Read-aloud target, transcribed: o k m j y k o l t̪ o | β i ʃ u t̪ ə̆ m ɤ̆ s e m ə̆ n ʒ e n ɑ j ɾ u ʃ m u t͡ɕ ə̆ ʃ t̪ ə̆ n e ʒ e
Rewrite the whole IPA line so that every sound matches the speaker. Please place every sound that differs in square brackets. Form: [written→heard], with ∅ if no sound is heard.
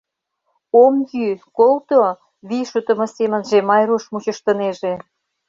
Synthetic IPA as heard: o [k→∅] m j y k o l t̪ o | β i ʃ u t̪ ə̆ m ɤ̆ s e m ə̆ n ʒ e [n→m] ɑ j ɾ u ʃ m u t͡ɕ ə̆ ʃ t̪ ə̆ n e ʒ e